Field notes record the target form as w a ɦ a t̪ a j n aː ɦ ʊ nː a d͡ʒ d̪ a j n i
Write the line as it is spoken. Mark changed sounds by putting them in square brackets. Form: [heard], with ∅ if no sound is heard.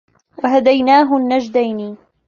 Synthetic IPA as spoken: w a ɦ a [d̪] a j n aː ɦ ʊ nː a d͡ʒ d̪ a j n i